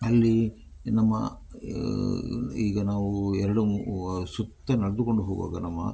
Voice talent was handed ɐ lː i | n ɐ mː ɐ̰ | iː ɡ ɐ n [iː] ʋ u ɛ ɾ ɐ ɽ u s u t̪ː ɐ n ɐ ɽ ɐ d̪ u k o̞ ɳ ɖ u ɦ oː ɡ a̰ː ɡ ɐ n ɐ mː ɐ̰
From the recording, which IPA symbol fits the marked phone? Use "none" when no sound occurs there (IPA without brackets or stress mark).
aː